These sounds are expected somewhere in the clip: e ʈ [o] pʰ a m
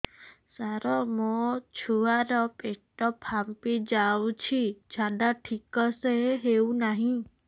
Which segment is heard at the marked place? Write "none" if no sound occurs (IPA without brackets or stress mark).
ɔ